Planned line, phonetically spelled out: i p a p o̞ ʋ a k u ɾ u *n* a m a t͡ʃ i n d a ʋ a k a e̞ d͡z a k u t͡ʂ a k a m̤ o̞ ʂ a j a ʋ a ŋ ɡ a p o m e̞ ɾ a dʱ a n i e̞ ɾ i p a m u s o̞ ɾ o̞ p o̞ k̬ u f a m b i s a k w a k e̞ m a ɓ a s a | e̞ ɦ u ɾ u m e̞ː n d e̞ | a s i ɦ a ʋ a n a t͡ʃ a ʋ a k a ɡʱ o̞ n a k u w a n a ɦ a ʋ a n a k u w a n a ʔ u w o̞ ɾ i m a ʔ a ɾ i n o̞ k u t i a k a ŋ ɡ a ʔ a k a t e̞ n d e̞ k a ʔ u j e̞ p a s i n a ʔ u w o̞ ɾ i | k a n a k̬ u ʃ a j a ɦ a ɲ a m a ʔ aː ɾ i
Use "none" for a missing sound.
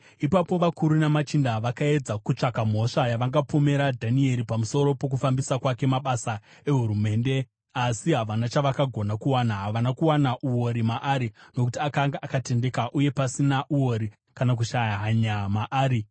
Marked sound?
n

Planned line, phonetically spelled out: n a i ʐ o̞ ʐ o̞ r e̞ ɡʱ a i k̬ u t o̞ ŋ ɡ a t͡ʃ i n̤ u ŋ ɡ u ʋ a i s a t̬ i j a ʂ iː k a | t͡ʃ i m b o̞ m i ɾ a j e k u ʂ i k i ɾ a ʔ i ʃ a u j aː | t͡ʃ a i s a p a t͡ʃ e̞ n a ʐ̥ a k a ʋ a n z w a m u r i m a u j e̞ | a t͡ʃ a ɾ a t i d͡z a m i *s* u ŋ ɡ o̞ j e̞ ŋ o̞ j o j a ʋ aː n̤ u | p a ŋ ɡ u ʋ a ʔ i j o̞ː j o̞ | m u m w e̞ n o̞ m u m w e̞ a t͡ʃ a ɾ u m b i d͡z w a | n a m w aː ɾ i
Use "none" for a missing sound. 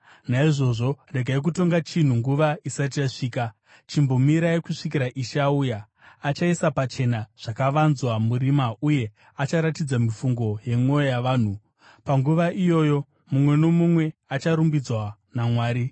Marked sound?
f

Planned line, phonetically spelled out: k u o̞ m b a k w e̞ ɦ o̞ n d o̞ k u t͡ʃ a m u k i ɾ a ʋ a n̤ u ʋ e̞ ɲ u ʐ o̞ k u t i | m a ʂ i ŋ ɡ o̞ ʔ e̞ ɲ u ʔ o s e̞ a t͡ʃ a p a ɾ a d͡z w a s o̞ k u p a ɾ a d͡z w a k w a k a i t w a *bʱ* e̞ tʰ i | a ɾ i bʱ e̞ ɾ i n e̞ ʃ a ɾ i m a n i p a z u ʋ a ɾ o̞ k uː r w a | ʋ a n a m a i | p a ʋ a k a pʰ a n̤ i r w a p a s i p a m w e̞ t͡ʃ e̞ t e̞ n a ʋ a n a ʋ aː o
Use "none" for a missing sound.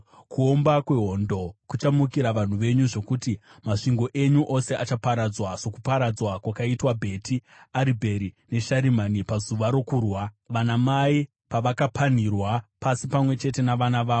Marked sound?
bʱ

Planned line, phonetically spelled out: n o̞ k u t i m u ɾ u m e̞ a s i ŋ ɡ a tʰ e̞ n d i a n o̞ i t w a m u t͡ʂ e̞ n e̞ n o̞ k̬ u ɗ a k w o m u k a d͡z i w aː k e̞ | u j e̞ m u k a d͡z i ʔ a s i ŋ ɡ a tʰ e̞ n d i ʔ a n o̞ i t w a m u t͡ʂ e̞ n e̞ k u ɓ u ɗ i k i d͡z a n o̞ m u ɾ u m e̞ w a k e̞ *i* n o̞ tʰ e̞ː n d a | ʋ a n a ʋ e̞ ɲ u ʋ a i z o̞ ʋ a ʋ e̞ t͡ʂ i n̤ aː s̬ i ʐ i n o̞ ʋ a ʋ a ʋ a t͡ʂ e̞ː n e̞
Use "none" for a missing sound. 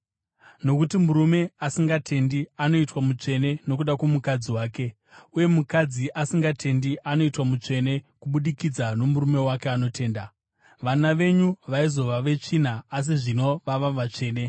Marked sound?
a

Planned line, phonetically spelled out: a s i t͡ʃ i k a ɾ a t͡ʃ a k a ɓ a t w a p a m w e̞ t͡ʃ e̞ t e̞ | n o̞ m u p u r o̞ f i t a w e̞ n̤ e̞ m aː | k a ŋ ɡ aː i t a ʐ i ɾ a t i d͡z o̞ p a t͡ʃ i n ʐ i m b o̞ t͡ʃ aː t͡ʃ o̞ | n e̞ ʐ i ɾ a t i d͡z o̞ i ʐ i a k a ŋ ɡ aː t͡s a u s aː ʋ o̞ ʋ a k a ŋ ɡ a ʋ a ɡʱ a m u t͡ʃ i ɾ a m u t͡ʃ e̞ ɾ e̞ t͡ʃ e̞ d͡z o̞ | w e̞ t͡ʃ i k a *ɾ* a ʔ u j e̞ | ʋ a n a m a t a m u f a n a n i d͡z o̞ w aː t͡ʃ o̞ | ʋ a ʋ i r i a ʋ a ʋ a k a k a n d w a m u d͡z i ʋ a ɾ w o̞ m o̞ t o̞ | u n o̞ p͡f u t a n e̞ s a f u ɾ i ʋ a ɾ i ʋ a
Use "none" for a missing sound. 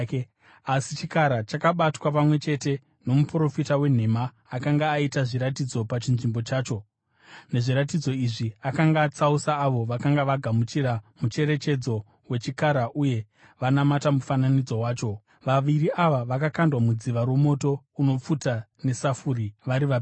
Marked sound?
ɾ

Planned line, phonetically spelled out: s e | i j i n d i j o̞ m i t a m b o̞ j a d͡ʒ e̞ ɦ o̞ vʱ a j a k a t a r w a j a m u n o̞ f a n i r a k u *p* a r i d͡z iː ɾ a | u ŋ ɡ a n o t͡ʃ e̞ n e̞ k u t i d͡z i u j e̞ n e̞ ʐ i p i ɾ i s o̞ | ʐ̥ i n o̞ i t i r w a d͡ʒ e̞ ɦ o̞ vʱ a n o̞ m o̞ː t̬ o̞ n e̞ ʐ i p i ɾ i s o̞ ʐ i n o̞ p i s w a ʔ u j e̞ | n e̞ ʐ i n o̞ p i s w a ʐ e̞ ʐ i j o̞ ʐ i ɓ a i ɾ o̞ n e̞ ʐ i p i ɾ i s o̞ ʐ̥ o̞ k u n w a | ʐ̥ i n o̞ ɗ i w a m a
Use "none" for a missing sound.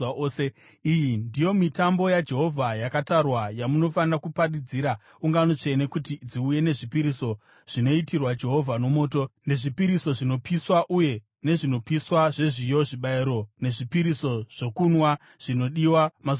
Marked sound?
p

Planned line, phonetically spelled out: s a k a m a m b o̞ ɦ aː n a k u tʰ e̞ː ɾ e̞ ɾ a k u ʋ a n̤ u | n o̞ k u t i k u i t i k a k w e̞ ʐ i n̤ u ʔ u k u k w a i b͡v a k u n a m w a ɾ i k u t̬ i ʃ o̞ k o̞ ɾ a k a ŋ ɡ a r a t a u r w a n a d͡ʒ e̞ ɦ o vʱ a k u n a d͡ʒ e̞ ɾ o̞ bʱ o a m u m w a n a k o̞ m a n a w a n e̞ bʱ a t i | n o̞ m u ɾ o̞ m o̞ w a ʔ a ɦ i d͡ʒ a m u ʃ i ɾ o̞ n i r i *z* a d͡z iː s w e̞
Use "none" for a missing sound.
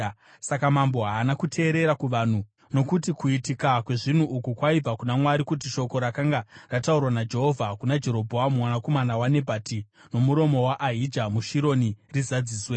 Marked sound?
z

